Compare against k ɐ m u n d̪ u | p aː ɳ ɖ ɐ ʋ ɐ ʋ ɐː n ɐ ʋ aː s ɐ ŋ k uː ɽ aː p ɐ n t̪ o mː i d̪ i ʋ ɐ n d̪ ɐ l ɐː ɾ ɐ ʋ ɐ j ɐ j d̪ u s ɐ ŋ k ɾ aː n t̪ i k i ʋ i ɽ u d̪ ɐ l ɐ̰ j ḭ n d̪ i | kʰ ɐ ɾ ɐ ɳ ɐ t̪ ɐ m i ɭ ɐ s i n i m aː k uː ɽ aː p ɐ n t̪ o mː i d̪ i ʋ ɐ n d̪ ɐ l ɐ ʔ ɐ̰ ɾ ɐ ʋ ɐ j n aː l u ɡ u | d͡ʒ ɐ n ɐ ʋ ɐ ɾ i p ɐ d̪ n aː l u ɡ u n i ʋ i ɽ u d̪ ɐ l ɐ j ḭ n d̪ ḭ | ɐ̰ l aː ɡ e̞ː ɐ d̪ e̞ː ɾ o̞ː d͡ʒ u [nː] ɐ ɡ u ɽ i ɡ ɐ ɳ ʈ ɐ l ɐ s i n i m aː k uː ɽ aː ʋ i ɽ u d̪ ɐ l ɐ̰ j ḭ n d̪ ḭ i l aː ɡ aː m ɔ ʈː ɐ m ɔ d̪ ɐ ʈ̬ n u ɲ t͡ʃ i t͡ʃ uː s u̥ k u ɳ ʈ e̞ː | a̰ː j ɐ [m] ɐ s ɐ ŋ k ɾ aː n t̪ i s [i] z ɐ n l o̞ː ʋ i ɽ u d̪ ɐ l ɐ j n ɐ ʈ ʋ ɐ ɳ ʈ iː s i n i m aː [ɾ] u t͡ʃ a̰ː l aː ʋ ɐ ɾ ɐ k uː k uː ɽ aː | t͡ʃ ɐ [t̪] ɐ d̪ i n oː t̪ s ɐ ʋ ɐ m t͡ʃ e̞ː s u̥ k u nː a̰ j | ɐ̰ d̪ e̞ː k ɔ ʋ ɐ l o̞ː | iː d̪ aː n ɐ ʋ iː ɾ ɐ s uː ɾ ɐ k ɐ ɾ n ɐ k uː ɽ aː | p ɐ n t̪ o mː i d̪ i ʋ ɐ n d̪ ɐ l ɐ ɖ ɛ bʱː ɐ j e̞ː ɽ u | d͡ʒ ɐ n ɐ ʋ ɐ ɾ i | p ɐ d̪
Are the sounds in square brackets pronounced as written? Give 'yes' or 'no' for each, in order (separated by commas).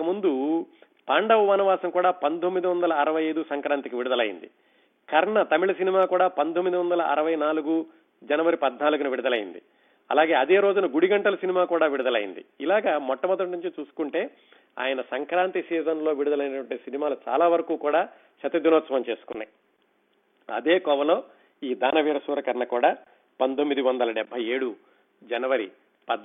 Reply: no, no, no, no, yes